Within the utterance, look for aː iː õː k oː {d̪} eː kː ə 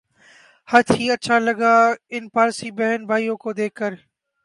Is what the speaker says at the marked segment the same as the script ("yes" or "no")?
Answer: yes